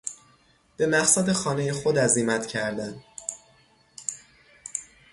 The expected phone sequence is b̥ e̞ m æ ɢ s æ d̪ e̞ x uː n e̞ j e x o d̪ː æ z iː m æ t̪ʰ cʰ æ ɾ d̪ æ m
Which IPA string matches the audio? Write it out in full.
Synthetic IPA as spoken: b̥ e̞ m æ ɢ s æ d̪ e̞ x ɒː n e̞ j e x o d̪ æ z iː m æ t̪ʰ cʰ æ ɾ d̪ æ n